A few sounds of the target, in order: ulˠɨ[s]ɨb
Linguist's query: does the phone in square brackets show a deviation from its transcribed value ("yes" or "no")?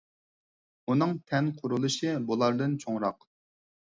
yes